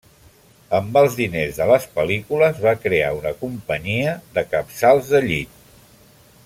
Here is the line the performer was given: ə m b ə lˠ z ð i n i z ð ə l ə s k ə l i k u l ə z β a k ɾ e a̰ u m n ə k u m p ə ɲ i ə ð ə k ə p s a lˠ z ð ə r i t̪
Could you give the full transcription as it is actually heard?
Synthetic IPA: ə m b ə lˠ z ð i n e z ð ə l ə s p ə l i k u l ə z β a k ɾ e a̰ u n ə k u m p ə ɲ i ə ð ə k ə p s a lˠ z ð ə ʎ i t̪